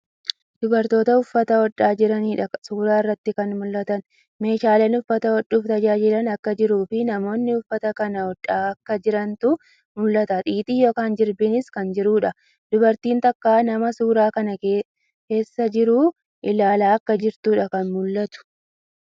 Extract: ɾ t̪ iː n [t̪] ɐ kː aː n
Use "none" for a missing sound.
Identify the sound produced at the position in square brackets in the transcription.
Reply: t̪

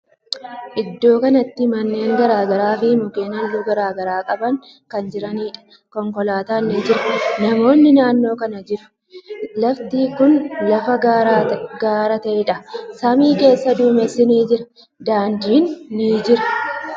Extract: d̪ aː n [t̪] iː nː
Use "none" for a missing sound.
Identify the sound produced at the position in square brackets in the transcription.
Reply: d̪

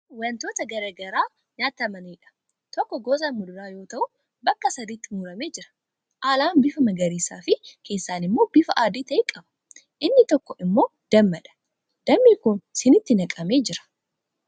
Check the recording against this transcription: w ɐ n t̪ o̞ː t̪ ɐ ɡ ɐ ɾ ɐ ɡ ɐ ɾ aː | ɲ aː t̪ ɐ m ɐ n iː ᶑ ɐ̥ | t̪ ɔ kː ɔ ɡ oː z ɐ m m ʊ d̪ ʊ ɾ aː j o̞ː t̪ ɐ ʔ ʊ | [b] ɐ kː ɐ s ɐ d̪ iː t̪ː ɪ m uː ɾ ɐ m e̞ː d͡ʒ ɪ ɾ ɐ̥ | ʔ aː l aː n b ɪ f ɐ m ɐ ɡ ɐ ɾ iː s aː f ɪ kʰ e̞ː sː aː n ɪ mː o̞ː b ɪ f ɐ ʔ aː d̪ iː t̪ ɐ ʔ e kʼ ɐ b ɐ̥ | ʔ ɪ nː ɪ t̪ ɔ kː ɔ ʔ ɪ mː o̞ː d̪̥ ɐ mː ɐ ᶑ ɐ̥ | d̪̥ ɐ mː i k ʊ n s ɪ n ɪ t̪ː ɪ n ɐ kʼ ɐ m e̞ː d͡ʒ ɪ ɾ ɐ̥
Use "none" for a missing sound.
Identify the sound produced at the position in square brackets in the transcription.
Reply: b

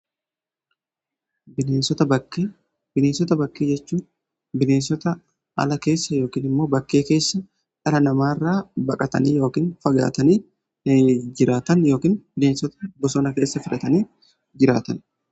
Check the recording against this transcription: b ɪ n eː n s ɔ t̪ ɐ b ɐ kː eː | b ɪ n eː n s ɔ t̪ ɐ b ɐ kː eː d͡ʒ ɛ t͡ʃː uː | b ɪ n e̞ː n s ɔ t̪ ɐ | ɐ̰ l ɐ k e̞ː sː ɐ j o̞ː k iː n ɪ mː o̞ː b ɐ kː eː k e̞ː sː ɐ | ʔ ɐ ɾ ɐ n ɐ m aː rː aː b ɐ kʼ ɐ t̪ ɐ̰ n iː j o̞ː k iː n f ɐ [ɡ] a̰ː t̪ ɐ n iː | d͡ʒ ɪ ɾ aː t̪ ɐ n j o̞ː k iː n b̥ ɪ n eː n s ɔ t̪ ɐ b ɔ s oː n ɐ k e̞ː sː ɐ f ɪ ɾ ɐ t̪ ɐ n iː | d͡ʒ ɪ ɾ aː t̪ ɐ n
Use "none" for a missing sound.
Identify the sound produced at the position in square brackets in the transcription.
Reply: ɡ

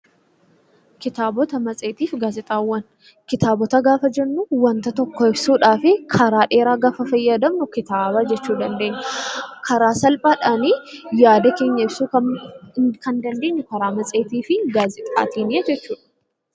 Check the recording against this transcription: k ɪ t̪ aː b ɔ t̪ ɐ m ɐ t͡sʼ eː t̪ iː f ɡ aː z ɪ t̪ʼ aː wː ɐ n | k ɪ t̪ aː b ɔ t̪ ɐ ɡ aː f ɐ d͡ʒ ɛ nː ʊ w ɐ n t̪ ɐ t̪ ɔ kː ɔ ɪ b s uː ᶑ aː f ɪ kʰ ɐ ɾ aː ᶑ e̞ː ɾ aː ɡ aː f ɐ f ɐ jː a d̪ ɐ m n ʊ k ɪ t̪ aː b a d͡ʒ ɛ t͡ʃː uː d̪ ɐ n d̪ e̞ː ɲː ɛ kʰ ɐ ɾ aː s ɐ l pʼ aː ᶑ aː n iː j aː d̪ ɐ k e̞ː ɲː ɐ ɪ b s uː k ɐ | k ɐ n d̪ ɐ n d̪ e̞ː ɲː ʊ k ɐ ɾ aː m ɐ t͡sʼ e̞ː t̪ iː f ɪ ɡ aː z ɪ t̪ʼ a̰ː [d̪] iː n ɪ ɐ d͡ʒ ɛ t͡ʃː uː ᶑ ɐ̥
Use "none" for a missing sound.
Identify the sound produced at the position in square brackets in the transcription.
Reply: t̪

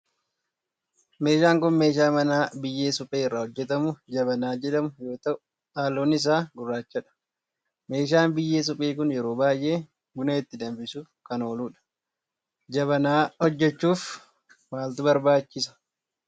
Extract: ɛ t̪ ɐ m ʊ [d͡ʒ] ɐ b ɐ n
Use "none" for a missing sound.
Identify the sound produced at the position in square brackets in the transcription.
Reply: d͡ʒ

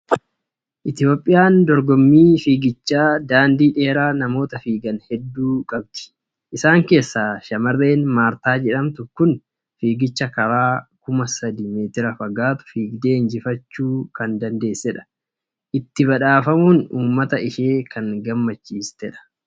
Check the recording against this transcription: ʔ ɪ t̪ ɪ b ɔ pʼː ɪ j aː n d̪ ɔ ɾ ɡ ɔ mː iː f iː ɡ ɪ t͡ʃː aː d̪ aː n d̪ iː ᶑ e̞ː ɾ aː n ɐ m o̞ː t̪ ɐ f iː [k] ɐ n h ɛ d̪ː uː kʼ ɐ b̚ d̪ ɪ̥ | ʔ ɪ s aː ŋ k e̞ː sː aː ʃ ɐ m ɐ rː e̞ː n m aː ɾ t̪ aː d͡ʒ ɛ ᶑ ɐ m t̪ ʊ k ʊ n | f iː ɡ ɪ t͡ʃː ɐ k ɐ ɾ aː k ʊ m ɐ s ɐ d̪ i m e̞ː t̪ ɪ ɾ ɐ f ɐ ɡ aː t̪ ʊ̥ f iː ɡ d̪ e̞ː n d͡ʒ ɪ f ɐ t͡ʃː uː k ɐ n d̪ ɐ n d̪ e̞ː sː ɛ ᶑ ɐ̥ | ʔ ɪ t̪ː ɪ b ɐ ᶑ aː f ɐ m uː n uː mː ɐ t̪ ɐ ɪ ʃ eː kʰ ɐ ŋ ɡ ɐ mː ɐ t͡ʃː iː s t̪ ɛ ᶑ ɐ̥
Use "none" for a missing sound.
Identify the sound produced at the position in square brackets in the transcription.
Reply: ɡ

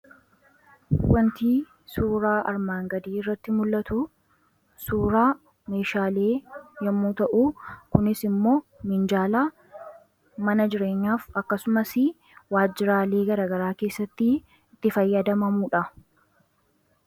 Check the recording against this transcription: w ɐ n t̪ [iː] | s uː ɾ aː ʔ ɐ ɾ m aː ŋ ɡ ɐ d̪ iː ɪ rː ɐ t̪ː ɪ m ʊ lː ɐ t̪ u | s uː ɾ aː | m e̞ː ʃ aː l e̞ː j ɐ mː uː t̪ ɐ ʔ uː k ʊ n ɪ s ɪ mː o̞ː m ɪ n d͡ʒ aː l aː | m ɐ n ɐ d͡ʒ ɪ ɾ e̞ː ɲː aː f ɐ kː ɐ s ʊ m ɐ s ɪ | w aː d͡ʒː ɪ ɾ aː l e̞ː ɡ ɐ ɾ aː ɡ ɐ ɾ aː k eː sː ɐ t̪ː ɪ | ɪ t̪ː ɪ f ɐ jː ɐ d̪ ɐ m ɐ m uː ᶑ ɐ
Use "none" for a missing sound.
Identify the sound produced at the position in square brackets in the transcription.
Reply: iː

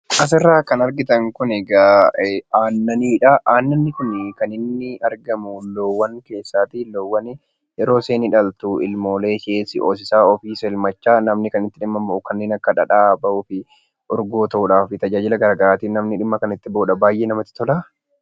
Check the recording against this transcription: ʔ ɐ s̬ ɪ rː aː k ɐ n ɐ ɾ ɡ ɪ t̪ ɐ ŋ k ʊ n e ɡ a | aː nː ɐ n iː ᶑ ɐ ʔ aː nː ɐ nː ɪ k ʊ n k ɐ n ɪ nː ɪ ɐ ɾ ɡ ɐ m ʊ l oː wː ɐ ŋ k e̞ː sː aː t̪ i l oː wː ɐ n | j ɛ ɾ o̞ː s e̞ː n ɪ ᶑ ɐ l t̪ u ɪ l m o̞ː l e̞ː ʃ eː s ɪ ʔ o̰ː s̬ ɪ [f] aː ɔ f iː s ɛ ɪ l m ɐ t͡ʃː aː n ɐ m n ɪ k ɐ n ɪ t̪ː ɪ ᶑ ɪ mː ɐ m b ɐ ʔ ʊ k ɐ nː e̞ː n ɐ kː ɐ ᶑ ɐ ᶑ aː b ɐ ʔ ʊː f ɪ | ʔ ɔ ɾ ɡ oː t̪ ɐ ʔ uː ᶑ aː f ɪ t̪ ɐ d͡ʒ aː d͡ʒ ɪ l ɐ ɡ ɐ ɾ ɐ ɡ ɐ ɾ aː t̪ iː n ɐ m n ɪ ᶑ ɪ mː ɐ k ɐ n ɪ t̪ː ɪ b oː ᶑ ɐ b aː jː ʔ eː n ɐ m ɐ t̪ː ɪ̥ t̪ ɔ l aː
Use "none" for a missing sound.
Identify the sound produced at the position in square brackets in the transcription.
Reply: s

